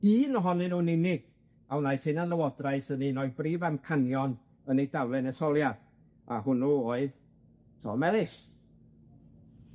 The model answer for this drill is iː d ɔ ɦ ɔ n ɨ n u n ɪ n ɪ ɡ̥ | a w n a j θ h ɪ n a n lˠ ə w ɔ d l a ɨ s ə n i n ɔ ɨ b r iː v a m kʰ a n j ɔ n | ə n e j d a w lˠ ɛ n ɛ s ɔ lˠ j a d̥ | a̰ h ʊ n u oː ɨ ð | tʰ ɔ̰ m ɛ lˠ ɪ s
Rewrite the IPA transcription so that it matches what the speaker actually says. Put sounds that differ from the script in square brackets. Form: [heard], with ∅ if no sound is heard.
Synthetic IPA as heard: iː [n] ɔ ɦ ɔ n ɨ n u n ɪ n ɪ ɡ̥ | a w n a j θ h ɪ n a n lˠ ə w ɔ d [r] a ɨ s ə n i n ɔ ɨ b r iː v a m kʰ a n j ɔ n | ə n e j d a w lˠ ɛ n ɛ s ɔ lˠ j a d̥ | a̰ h ʊ n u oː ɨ ð | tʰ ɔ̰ m ɛ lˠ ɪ s